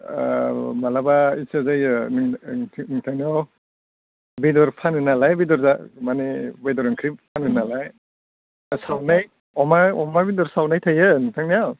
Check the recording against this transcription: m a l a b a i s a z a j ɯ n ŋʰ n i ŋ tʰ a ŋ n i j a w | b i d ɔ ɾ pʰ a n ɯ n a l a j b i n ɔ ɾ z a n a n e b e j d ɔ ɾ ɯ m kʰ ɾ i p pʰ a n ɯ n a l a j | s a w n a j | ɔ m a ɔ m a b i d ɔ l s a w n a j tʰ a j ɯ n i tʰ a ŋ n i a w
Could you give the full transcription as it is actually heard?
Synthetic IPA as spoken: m a l a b a i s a z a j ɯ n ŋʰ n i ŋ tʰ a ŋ n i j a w | b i d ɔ ɾ pʰ a n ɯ n a l a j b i d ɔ ɾ z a m a n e b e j d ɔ ɾ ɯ ŋ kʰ ɾ i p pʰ a n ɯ n a l a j | s a w n a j | ɔ m a ɔ m a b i d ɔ ɾ s a w n a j tʰ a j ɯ n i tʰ a ŋ n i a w